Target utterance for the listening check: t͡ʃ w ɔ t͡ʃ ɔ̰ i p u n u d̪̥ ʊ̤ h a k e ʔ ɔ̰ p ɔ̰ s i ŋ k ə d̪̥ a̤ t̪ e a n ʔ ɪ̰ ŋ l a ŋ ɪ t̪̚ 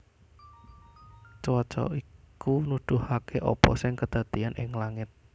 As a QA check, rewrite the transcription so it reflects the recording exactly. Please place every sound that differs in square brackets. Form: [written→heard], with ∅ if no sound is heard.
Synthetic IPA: t͡ʃ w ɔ t͡ʃ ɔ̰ i [p→k] u n u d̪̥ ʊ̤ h a k e ʔ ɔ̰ p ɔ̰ s [i→ɪ] ŋ k ə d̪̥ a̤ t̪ [e→i] a n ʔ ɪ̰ ŋ l a ŋ ɪ t̪̚